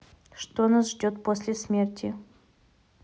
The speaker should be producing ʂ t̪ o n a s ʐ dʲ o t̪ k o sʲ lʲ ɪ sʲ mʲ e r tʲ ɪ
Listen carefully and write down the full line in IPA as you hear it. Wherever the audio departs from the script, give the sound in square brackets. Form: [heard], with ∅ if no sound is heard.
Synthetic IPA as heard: ʂ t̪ o n a s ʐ dʲ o t̪ [p] o sʲ lʲ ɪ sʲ mʲ e r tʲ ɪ